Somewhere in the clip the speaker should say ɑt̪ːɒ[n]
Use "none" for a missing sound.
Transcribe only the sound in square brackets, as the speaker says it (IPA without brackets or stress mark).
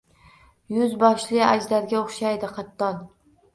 n